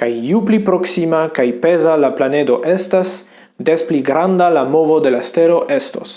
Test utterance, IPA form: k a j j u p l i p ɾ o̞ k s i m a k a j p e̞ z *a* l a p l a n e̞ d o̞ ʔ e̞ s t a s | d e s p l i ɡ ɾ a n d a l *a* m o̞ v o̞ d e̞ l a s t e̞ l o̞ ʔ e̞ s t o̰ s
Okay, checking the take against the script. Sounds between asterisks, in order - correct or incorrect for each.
correct, correct

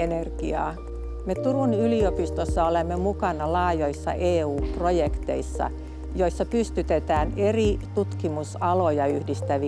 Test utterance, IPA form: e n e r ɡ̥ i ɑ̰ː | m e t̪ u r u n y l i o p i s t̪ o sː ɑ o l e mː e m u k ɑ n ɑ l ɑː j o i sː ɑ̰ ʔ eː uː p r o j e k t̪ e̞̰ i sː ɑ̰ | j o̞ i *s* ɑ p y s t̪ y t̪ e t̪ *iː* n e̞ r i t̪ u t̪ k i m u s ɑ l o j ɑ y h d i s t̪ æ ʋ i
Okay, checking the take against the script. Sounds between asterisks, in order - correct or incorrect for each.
incorrect, incorrect

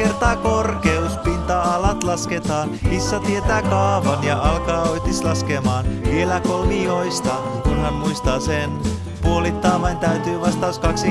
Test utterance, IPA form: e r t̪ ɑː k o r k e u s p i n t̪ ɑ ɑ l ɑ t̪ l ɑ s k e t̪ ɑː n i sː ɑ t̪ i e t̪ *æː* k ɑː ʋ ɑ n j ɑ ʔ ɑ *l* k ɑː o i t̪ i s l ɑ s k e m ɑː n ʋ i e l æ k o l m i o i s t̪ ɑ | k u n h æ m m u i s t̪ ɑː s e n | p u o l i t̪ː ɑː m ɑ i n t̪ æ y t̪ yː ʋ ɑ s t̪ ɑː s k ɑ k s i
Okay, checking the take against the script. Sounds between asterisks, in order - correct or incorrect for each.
correct, correct

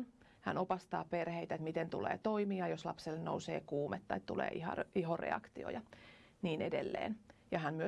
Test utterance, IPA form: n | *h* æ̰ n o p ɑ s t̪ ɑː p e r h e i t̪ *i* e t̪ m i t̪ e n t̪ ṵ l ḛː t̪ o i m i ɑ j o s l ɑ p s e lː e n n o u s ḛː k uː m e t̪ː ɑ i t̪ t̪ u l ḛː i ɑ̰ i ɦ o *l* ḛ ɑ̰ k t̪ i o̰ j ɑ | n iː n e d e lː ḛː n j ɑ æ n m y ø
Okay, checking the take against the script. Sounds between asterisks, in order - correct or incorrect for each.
correct, incorrect, incorrect

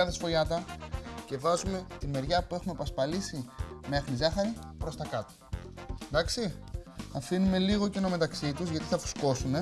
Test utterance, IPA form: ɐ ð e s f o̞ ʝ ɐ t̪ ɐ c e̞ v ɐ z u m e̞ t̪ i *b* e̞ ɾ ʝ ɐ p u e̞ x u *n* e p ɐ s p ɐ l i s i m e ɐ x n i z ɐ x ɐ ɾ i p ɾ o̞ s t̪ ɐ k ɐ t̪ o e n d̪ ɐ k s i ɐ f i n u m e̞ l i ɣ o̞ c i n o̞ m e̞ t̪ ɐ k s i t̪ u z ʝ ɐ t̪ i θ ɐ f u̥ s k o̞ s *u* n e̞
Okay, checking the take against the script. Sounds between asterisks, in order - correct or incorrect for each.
incorrect, incorrect, correct

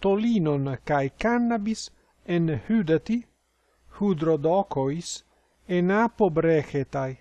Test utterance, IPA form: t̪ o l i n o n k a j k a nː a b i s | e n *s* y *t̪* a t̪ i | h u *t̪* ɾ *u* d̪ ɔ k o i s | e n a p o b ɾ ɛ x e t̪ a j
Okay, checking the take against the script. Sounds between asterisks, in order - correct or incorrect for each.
incorrect, incorrect, incorrect, incorrect

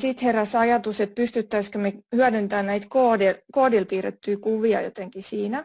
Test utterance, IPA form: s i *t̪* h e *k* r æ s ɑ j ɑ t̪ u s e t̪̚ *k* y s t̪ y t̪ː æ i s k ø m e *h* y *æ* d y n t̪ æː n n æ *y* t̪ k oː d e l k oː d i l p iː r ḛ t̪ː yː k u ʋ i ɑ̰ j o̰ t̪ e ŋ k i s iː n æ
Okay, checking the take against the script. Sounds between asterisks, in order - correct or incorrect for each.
correct, incorrect, incorrect, correct, correct, incorrect

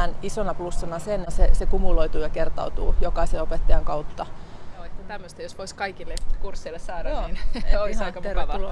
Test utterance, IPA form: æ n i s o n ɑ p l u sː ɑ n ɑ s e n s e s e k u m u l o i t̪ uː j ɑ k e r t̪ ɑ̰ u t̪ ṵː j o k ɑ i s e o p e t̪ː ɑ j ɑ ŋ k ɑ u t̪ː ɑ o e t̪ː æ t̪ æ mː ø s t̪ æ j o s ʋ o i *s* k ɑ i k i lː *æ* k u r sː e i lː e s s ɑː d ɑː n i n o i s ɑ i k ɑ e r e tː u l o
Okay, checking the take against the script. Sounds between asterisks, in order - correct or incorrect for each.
correct, incorrect

